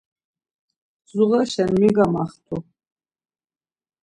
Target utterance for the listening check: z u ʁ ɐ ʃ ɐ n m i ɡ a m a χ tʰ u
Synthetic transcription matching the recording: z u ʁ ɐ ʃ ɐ n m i ɡ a m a χ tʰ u